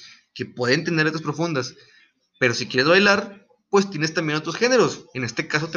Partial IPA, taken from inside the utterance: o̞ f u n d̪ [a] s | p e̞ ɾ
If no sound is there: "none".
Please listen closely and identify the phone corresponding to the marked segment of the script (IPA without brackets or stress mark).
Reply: a